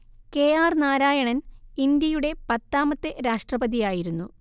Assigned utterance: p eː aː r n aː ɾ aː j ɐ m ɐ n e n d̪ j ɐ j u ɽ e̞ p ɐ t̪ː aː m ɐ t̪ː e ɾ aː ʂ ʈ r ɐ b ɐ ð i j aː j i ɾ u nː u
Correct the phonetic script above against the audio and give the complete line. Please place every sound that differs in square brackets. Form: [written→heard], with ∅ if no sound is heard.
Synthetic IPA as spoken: [p→k] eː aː r n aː ɾ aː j ɐ [m→ɳ] ɐ n [e→i] n d̪ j ɐ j u ɽ e̞ p ɐ t̪ː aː m ɐ t̪ː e ɾ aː ʂ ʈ r ɐ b ɐ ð i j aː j i ɾ u nː u